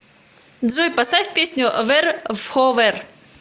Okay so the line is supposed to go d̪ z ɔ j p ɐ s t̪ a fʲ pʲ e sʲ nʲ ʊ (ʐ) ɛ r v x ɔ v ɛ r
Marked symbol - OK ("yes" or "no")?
no